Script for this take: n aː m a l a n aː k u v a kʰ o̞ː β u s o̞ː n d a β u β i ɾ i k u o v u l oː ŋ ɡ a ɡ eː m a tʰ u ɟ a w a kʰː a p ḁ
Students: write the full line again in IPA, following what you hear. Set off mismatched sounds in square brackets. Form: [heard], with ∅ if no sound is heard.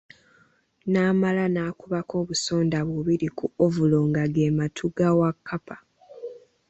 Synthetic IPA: n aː m a l a n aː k u [β] a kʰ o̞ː β u s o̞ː n d a β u β i ɾ i k u o v u l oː ŋ ɡ a ɡ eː m a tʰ u [ɡ] a w a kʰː a p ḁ